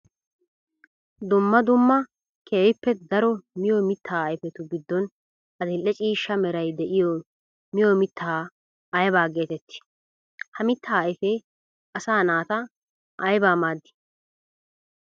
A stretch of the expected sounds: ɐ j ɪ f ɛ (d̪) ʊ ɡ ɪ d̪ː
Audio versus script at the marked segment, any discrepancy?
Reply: yes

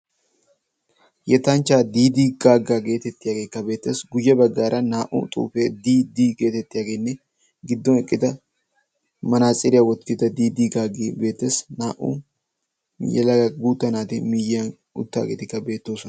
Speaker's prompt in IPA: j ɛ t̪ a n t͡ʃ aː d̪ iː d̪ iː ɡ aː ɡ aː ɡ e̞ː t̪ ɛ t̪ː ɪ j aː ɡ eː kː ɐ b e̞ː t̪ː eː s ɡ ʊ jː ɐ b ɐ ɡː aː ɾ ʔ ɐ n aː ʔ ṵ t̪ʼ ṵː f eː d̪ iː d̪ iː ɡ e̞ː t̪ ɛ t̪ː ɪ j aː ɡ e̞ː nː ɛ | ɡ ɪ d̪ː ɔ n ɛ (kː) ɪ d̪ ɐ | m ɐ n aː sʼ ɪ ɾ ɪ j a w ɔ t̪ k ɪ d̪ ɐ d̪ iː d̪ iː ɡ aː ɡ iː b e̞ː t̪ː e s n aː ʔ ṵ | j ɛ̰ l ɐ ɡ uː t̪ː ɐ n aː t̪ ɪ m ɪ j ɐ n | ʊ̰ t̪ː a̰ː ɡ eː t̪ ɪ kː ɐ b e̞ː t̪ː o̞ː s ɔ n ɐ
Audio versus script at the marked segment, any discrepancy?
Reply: yes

